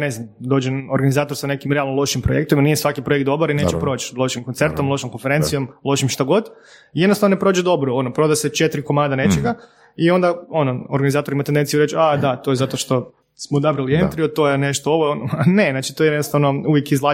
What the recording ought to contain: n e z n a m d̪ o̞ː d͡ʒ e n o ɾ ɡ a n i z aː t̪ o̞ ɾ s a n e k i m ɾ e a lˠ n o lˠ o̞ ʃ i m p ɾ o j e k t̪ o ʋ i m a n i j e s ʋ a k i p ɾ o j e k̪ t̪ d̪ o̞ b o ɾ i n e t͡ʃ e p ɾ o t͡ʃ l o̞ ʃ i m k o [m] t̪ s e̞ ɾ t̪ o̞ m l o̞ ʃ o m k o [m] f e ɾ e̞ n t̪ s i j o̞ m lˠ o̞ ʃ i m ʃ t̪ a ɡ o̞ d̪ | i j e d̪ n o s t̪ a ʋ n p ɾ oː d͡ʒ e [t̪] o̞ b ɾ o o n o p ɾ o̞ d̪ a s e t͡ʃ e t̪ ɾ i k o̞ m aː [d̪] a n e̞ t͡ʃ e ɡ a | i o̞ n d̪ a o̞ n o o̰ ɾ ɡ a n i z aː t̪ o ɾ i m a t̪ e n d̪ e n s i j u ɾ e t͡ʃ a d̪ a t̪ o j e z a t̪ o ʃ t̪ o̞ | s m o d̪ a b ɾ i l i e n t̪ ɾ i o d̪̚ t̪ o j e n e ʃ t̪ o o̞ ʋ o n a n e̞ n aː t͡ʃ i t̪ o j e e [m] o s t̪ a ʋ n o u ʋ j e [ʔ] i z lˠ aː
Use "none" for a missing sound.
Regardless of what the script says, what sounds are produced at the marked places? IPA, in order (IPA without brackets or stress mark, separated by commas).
n, n, d̪, d̪, n, k